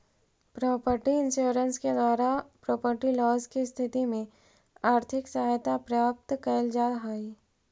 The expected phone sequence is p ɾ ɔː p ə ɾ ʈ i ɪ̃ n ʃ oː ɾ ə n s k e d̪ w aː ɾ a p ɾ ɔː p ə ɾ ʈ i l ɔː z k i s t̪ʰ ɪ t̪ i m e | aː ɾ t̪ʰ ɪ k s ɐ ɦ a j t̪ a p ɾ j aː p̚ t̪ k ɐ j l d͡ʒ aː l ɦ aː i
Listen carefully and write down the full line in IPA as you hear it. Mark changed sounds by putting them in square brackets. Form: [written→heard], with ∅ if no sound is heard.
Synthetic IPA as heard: p ɾ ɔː p ə ɾ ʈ i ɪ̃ n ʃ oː ɾ ə n s k e d̪ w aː ɾ a p ɾ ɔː p ə ɾ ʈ i l ɔː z k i s t̪ʰ ɪ t̪ i m [e→ẽ] | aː ɾ t̪ʰ ɪ k s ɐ ɦ a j t̪ a p ɾ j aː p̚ t̪ k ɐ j l d͡ʒ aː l ɦ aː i

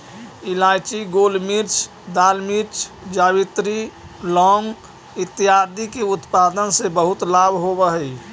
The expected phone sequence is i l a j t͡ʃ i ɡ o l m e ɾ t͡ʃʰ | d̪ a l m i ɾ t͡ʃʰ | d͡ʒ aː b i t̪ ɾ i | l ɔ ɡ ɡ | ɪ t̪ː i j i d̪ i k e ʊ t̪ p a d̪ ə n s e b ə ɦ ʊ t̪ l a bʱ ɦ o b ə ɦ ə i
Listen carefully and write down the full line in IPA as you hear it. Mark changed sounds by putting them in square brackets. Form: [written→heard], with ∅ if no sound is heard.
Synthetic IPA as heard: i l a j t͡ʃ i ɡ o l m [e→i] ɾ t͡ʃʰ | d̪ a l m i ɾ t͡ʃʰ | d͡ʒ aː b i t̪ ɾ i | l ɔ [ɡ→ŋ] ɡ | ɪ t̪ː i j [i→a] d̪ i k e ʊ t̪ p a d̪ ə n s e b ə ɦ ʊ t̪ l a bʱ ɦ o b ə ɦ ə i

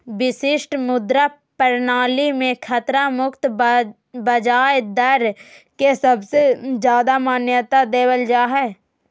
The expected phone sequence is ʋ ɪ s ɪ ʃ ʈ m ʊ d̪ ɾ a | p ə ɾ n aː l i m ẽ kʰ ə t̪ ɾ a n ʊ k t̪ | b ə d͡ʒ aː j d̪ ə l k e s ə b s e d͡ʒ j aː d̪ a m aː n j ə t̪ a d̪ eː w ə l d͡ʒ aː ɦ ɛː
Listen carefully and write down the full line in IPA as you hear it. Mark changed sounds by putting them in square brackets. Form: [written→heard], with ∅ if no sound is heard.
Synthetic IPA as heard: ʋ ɪ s ɪ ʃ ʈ m ʊ d̪ ɾ a | p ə ɾ n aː l i m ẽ kʰ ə t̪ ɾ a [n→m] ʊ k t̪ | b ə d͡ʒ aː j d̪ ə [l→ɾ] k e s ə b s e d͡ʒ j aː d̪ a m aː n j ə t̪ a d̪ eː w ə l d͡ʒ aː ɦ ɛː

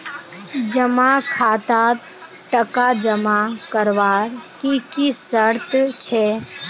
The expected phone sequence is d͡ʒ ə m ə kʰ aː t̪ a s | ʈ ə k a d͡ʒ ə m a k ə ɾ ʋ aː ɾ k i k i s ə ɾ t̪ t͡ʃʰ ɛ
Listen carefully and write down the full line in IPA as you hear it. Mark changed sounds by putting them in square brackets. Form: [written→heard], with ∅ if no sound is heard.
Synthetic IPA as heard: d͡ʒ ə m [ə→a] kʰ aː t̪ a [s→∅] | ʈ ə k a d͡ʒ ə m a k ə ɾ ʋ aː ɾ k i k i s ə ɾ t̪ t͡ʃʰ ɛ

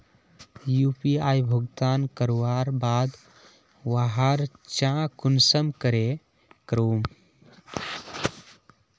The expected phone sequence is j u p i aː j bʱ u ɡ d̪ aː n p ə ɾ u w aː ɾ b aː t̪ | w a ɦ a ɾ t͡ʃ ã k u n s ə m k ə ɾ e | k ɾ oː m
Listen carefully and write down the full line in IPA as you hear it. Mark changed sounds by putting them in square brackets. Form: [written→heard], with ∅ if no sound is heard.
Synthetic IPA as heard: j u p i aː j bʱ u ɡ [d̪→t̪] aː n [p→k] ə ɾ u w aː ɾ b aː [t̪→d̪] | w a ɦ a ɾ t͡ʃ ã k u n s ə m k ə ɾ e | k ɾ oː m

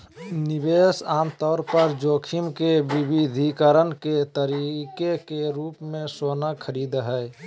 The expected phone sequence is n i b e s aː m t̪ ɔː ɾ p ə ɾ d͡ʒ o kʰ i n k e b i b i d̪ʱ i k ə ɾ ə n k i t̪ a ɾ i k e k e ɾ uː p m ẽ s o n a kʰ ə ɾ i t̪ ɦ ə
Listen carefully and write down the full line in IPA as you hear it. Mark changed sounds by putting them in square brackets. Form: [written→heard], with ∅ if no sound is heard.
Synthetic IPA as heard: n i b e s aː m t̪ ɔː ɾ p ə ɾ d͡ʒ o kʰ i [n→m] k e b i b i d̪ʱ i k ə ɾ ə n k [i→e] t̪ [a→ə] ɾ i k e k e ɾ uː p m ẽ s o n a kʰ ə ɾ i [t̪→d̪] ɦ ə

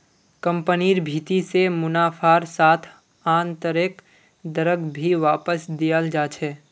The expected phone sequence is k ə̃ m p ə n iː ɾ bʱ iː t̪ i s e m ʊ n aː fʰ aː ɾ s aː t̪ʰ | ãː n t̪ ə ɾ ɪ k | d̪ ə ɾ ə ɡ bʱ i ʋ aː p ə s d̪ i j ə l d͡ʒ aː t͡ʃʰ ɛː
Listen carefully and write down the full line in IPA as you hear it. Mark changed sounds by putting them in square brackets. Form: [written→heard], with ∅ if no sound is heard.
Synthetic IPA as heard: k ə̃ m p ə n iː ɾ bʱ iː t̪ i s e m ʊ n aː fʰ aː ɾ s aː t̪ʰ | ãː n t̪ ə ɾ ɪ k | d̪ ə ɾ ə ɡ bʱ i ʋ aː p ə s d̪ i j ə l d͡ʒ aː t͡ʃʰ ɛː

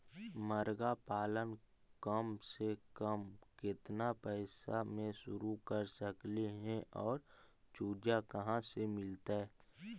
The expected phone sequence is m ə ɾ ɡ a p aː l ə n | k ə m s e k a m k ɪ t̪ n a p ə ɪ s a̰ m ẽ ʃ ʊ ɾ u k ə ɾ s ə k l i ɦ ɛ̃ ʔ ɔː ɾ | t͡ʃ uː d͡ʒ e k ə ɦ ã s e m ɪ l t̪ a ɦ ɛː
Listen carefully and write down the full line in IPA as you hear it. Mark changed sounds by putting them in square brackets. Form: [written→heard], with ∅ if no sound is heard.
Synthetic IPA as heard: m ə ɾ ɡ a p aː l ə n | k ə m s e k [a→ə] m k ɪ t̪ n a p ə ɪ s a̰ m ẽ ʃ ʊ ɾ u k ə ɾ s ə k l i ɦ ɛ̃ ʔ ɔː ɾ | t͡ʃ uː d͡ʒ [e→a] k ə ɦ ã s e m ɪ l t̪ a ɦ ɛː

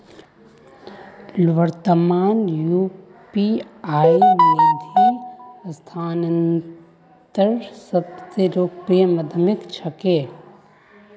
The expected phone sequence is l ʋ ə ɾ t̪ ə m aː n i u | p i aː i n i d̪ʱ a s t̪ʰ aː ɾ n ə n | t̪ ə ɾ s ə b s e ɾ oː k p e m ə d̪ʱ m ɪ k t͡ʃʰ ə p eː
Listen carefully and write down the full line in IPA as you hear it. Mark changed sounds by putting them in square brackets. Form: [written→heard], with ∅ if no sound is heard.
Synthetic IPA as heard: l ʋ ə ɾ t̪ ə m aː n [i→j] u | p i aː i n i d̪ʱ [a→i] s t̪ʰ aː [ɾ→∅] n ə n | t̪ ə ɾ s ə b s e ɾ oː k p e m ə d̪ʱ m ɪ k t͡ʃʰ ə [p→k] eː

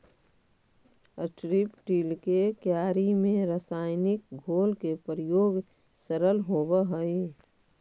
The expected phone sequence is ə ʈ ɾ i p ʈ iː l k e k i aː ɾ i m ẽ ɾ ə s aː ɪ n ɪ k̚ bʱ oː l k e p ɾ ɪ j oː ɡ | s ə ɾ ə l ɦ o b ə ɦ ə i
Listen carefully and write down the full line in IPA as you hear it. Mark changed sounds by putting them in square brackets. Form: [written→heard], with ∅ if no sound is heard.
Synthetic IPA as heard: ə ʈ ɾ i p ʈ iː l k e k [i→j] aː ɾ i m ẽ ɾ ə s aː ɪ n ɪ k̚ [bʱ→ɡʱ] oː l k e p ɾ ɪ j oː ɡ | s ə ɾ ə l ɦ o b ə ɦ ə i

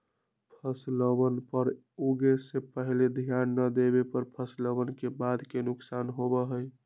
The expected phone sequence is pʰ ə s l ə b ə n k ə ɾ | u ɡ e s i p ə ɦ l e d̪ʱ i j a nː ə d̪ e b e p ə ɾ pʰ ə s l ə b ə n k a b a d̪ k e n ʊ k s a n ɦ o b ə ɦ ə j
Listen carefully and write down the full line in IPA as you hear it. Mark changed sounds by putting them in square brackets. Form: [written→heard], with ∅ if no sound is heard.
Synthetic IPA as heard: pʰ ə s l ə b ə n [k→p] ə ɾ | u ɡ e s [i→e] p ə ɦ l e d̪ʱ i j a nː ə d̪ e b e p ə ɾ pʰ ə s l ə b ə n k [a→e] b a d̪ k e n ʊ k s a n ɦ o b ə ɦ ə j

